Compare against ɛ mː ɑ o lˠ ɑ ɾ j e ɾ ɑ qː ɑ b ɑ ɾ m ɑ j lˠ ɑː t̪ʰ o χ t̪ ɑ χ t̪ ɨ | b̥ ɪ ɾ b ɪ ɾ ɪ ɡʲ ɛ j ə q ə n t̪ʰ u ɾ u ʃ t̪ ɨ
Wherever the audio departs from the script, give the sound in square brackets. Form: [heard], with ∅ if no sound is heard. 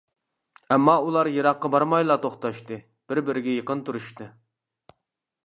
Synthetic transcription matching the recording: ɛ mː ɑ [u] lˠ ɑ ɾ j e ɾ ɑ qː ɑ b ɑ ɾ m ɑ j lˠ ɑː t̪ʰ o χ t̪ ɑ [ʃ] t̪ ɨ | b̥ ɪ ɾ b ɪ ɾ ɪ ɡʲ ɛ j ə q ə n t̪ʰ u ɾ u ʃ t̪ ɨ